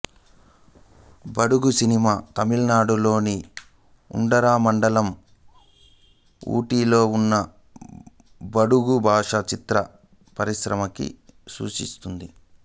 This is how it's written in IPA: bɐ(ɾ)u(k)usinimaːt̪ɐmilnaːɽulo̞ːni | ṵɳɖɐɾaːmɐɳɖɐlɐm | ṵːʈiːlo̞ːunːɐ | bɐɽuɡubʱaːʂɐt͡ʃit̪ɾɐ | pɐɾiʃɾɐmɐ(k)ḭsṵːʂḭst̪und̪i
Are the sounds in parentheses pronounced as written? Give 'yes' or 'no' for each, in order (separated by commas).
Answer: no, no, yes